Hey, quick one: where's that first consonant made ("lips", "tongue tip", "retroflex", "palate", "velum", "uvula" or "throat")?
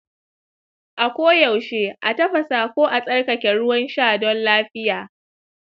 throat